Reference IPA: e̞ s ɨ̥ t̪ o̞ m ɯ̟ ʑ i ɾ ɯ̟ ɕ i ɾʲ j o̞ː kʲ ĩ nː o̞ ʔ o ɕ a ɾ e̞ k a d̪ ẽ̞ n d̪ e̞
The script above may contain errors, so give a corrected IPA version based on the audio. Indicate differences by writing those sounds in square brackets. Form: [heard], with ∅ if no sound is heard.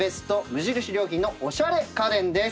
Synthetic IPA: e̞ s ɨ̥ t̪ o̞ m ɯ̟ ʑ i ɾ ɯ̟ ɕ i ɾʲ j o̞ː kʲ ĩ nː o̞ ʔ o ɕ a ɾ e̞ k a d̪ ẽ̞ n d̪ e̞